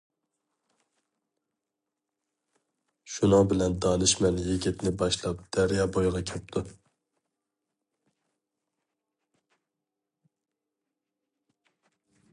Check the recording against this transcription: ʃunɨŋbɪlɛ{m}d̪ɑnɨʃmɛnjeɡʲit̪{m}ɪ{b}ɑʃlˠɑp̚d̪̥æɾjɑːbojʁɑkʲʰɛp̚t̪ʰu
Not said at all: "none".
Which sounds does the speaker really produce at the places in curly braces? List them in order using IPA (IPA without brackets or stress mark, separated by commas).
n, n, b